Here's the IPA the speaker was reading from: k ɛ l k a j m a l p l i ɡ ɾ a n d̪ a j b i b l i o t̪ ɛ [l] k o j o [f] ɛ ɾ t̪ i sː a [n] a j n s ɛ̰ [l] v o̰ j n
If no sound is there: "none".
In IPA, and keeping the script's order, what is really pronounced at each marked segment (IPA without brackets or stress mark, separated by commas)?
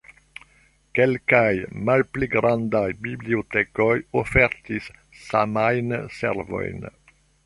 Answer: none, f, m, ɾ